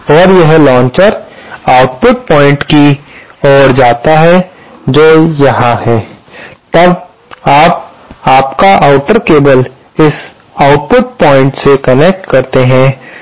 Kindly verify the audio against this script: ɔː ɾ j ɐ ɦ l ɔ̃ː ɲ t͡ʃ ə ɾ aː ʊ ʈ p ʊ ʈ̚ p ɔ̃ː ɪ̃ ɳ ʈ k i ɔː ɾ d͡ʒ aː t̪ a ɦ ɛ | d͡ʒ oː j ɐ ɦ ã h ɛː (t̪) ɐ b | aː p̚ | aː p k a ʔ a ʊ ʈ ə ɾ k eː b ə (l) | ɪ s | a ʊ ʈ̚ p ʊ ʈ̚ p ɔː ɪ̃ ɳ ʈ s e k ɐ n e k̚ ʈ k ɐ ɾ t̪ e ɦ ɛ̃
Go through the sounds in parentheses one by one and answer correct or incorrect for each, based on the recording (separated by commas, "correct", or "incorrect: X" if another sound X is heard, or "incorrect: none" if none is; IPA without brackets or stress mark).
correct, correct